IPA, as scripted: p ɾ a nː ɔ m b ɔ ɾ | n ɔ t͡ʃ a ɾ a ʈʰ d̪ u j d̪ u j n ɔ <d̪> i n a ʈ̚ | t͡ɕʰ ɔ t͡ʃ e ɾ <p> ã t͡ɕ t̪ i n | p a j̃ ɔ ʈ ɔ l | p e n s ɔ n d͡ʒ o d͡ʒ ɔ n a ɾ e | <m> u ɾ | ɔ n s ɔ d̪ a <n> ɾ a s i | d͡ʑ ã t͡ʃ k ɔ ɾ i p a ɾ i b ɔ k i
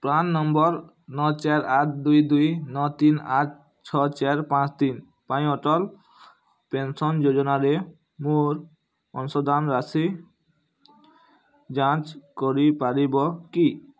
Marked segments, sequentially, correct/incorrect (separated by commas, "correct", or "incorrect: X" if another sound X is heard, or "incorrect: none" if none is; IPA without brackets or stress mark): incorrect: t̪, correct, correct, correct